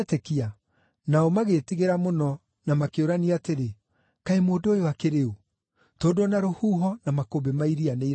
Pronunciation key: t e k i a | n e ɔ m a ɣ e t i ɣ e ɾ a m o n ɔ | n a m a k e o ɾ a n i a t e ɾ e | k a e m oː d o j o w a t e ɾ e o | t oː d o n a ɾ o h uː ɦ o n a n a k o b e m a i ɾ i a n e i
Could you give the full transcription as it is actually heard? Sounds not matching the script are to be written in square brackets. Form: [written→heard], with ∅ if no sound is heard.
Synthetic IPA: t e k i a | n [e→a] ɔ m a ɣ e t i ɣ e ɾ a m o n ɔ | n a m a k e o ɾ a n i a t e ɾ e | k a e m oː d o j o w a [t→k] e ɾ e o | t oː d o n a ɾ o h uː ɦ [o→ɔ] n a [n→m] a k o b e m a i ɾ i a n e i